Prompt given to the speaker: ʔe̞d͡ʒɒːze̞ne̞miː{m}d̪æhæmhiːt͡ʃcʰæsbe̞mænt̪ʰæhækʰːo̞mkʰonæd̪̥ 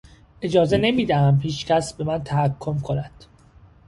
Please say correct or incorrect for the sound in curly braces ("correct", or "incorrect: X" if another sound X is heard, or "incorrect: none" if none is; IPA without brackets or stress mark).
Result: incorrect: none